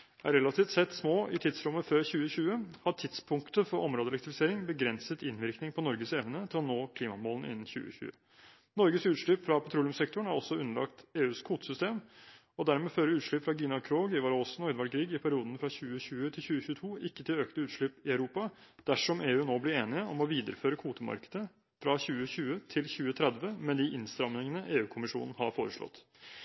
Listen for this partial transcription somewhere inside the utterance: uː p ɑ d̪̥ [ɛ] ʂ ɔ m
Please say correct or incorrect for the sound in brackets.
incorrect